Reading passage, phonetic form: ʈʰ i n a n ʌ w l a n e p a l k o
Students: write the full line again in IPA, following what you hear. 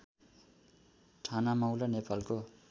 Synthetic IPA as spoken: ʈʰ a n a m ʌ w l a n e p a l k o